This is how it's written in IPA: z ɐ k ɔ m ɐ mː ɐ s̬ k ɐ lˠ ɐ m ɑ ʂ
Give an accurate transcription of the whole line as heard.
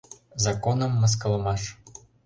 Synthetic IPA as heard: z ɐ k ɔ n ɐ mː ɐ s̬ k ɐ lˠ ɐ m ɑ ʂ